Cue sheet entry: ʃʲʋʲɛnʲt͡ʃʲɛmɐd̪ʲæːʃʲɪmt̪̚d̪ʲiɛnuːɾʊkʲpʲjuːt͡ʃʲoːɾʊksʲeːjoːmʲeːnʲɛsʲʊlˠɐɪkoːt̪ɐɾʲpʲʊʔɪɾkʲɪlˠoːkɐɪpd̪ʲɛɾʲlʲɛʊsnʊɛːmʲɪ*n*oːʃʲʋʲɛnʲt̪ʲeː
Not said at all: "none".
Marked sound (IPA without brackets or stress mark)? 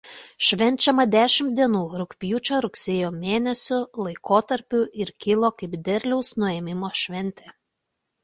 m